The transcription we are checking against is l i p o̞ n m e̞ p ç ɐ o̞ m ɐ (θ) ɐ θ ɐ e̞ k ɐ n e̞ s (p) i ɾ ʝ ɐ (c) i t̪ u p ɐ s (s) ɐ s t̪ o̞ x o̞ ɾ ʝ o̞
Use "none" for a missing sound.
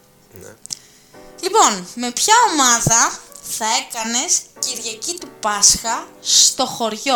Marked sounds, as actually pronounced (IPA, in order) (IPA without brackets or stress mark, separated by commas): ð, c, c, x